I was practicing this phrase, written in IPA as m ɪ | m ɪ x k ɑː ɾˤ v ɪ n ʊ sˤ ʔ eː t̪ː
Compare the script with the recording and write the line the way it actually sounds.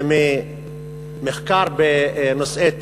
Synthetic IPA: m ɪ | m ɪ x k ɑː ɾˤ b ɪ n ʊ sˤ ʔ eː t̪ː